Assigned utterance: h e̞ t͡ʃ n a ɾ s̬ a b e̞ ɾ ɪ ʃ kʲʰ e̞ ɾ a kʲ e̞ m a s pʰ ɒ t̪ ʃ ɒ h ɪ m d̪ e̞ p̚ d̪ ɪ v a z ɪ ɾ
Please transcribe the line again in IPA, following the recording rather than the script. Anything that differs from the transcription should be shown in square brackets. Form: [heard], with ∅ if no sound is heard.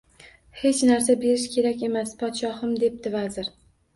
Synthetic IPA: h e̞ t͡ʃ n a ɾ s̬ a b e̞ ɾ ɪ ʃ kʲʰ e̞ ɾ a kʲ e̞ m a s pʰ ɒ t̪ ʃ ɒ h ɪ m d̪ e̞ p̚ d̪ ɪ v a z ɪ ɾ